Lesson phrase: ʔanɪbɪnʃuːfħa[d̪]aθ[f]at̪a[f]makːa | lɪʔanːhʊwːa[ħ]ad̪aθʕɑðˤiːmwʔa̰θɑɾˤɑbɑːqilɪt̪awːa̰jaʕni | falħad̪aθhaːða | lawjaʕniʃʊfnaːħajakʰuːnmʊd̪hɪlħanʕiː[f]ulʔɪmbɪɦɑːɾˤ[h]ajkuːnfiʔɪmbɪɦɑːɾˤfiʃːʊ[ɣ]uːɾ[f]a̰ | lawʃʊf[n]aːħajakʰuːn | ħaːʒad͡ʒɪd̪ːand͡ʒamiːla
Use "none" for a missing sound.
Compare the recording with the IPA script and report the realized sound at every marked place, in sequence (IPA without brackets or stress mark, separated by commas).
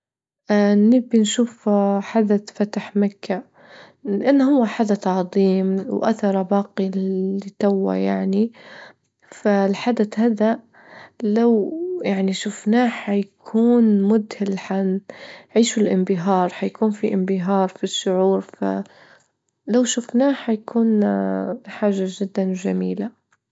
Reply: d̪, f, ħ, ħ, ʃ, ħ, ʕ, f, n